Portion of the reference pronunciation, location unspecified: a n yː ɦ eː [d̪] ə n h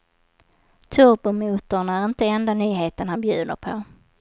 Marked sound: incorrect: t̪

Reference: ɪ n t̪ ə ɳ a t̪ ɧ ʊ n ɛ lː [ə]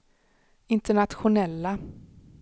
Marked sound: incorrect: a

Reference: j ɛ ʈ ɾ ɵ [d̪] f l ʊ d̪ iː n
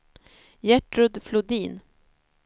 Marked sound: correct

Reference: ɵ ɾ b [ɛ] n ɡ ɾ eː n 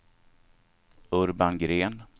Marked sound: incorrect: a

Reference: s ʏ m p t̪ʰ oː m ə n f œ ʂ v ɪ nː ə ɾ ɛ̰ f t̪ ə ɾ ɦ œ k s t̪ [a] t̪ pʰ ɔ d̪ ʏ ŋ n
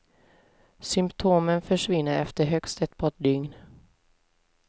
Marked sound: incorrect: ɛ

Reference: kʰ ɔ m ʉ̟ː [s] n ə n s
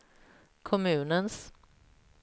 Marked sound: incorrect: none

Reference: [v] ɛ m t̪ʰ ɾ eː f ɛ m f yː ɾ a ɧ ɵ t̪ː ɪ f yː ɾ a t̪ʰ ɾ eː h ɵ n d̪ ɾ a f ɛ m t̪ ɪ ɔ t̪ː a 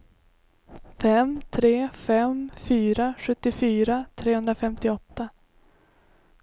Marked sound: incorrect: f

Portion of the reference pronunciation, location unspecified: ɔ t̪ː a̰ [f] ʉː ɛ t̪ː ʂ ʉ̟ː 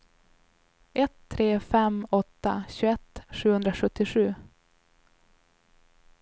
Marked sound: incorrect: ɕ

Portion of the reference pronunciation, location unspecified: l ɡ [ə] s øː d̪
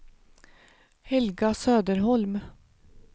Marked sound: incorrect: ɑ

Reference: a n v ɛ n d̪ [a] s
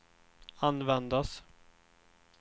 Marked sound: correct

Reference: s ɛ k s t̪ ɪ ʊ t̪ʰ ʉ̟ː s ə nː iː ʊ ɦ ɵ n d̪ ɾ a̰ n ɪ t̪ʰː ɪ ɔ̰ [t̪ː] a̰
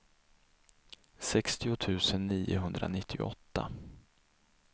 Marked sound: correct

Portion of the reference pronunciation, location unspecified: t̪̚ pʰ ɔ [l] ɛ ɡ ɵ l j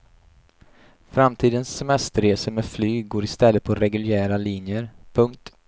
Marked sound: incorrect: ɾ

